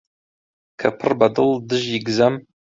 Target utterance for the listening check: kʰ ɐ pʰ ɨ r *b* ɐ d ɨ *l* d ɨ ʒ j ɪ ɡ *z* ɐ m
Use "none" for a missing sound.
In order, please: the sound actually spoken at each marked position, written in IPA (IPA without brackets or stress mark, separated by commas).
b, l, z